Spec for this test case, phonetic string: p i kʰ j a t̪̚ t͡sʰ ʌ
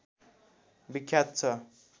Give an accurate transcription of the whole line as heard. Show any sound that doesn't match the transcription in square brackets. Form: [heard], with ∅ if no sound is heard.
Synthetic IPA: [b] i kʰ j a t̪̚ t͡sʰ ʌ